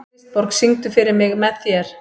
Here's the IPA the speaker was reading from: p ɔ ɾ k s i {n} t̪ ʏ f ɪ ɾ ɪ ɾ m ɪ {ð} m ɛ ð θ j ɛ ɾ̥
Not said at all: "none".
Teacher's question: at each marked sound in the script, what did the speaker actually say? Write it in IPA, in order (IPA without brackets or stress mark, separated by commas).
ŋ, ɣ